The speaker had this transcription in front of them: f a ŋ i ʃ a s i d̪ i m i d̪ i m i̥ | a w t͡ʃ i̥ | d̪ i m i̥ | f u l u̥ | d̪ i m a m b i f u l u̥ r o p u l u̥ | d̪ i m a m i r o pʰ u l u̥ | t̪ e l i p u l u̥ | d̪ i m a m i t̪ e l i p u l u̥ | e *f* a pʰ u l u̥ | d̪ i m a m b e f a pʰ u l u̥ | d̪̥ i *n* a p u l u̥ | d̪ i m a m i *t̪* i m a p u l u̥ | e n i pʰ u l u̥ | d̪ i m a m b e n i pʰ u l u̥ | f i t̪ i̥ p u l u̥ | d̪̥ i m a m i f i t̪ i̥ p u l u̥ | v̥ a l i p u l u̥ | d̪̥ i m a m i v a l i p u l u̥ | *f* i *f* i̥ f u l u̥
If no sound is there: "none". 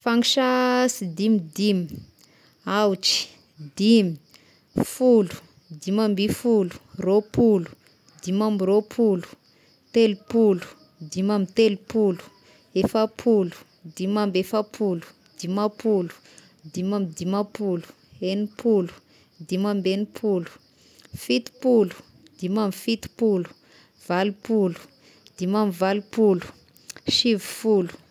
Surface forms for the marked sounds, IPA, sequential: f, m, d̪, ʃ, v

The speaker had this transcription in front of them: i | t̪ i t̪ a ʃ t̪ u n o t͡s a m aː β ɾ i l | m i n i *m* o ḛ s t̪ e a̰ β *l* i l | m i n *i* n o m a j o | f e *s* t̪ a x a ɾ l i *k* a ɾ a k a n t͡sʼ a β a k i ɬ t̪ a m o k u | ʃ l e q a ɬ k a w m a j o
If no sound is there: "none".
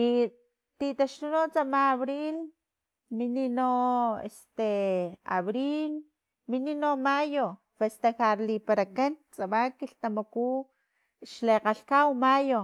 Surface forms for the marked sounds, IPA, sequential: n, ɾ, i, s, p

